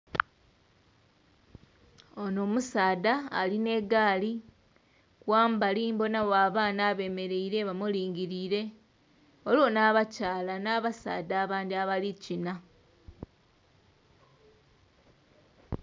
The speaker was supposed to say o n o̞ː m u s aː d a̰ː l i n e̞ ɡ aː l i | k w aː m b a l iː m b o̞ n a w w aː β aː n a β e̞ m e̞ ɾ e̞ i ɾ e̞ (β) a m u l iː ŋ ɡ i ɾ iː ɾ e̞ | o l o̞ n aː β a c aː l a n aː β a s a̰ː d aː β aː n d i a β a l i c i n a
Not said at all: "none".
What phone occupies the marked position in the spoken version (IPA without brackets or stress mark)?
β